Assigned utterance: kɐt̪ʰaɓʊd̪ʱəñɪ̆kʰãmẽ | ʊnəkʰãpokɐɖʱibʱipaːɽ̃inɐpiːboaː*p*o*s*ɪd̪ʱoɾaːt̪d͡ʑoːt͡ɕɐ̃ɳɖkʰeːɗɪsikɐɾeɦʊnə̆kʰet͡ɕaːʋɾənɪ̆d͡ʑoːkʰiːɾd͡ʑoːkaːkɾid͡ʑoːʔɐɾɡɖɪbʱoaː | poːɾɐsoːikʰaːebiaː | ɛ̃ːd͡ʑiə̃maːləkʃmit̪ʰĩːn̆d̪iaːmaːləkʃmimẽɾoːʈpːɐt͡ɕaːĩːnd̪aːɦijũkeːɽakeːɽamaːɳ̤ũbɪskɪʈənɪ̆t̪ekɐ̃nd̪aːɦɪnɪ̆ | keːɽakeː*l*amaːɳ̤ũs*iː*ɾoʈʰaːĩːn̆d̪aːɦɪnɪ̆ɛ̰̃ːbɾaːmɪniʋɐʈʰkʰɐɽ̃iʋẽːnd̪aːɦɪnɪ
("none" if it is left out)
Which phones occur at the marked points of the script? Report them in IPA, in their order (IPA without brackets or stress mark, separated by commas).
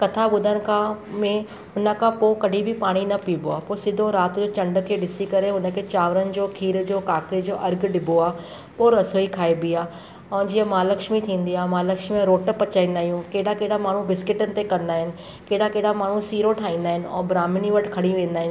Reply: p, s, ɽ, iː